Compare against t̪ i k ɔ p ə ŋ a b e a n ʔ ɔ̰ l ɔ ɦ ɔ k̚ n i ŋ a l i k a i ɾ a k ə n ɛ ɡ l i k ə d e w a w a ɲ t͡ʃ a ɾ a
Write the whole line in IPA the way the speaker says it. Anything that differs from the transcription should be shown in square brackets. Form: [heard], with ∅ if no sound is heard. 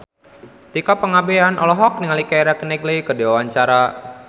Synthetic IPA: t̪ i k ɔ p ə ŋ a b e a n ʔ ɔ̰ l ɔ ɦ ɔ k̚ n i ŋ a l i k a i ɾ a k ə n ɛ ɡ l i k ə d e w a w a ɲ t͡ʃ a ɾ a